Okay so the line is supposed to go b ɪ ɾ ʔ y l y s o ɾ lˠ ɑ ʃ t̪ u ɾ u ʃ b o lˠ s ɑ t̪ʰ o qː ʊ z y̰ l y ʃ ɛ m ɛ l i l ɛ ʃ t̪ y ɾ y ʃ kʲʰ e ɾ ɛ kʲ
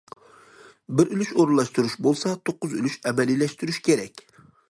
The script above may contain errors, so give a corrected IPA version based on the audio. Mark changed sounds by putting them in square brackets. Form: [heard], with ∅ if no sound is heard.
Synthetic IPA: b ɪ ɾ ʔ y l y [ʃ] o ɾ lˠ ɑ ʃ t̪ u ɾ u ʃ b o lˠ s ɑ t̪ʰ o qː ʊ z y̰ l y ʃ ɛ m ɛ l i l ɛ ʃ t̪ y ɾ y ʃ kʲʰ e ɾ ɛ kʲ